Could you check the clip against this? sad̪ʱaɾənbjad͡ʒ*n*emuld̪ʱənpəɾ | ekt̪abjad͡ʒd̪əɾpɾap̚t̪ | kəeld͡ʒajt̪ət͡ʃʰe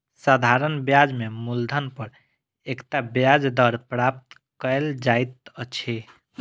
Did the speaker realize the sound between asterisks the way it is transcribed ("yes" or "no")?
no